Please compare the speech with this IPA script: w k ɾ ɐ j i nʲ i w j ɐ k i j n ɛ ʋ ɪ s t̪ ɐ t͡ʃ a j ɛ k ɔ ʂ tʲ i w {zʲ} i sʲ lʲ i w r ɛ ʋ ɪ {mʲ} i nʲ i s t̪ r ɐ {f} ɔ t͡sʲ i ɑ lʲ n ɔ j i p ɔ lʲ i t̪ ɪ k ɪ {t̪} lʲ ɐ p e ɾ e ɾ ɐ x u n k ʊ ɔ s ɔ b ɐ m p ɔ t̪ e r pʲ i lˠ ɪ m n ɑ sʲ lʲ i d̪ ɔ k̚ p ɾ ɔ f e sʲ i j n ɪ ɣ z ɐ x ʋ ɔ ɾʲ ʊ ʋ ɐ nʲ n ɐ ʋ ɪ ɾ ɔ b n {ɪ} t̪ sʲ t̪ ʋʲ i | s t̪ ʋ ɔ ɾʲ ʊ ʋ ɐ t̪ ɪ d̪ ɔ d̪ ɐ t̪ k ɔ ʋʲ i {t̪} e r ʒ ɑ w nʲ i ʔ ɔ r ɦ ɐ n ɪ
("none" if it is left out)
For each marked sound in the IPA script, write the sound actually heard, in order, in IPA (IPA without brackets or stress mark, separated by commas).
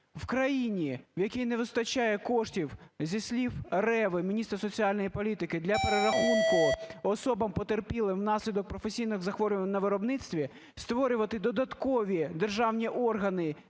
zʲ, mʲ, s, d̪, ɪ, d̪